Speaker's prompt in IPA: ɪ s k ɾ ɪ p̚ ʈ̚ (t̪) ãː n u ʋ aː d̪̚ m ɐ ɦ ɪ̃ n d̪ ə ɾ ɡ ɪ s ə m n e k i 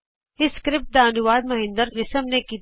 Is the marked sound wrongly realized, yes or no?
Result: yes